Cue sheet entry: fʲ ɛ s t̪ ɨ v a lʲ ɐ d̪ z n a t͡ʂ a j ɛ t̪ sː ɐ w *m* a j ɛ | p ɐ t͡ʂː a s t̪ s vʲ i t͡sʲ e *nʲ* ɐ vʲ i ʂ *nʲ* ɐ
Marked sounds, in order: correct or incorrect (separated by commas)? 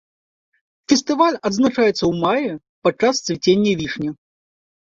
correct, incorrect, correct